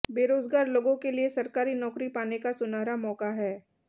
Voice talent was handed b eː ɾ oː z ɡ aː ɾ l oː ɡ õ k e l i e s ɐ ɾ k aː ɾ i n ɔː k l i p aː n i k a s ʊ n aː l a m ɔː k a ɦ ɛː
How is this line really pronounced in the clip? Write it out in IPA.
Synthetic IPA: b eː ɾ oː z ɡ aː ɾ l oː ɡ õ k e l i e s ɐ ɾ k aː ɾ i n ɔː k ɾ i p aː n e k a s ʊ n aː ɾ a m ɔː k a ɦ ɛː